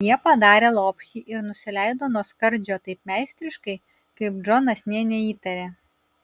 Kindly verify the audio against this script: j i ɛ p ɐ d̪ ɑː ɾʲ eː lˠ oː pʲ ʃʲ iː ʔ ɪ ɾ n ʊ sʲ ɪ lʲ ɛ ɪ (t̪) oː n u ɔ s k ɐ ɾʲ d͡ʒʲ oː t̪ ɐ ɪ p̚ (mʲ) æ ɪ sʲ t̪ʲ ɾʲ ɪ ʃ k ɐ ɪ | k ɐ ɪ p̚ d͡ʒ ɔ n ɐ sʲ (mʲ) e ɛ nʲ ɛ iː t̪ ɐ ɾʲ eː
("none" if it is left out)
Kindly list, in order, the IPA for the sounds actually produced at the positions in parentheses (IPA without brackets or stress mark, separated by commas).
d̪, mʲ, nʲ